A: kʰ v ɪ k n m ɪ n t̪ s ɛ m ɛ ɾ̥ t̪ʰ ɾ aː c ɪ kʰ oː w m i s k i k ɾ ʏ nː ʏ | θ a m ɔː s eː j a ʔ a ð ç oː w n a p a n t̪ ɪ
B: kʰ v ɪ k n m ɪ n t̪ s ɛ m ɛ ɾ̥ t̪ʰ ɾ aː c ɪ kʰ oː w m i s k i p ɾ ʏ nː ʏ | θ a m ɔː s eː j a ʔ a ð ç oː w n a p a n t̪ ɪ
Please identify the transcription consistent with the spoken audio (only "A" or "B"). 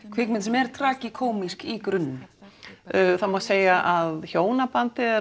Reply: A